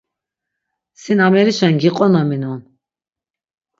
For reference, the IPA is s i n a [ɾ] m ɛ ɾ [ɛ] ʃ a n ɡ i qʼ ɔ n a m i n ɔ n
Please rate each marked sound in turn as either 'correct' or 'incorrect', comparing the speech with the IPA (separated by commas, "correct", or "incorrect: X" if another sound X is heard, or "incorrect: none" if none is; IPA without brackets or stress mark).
incorrect: none, incorrect: i